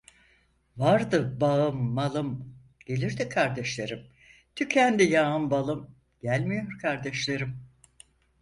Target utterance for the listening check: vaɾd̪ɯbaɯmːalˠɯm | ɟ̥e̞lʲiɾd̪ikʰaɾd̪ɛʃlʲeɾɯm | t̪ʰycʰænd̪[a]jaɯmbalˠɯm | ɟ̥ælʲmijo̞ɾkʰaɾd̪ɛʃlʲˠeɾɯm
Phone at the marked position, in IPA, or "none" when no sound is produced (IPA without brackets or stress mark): i